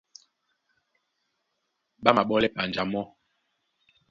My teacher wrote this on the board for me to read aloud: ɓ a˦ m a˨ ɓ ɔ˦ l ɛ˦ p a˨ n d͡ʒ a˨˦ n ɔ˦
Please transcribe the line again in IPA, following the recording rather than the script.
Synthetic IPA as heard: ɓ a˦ m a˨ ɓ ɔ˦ l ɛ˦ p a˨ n d͡ʒ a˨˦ m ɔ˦